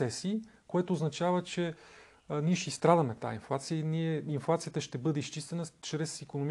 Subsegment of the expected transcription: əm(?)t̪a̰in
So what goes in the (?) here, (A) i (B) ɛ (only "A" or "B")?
B